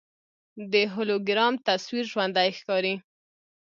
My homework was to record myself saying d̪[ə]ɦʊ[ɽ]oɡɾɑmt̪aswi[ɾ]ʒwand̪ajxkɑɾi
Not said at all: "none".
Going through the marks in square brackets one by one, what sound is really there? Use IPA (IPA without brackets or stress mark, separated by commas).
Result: ə, l, ɾ